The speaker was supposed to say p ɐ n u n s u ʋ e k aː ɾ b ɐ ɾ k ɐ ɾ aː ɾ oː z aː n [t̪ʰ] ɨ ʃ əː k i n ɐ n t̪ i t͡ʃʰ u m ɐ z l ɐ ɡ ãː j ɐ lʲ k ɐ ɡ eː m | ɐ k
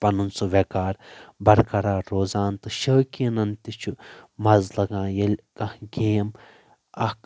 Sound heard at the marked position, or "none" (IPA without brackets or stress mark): t̪